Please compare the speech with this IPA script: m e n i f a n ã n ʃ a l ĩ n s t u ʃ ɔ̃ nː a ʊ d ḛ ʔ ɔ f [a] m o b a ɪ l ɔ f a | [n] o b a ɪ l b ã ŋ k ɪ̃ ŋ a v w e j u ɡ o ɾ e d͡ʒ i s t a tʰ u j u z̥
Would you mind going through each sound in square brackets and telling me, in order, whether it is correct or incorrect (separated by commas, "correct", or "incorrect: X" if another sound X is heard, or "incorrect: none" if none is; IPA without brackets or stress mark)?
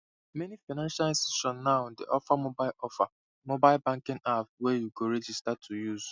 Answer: correct, incorrect: m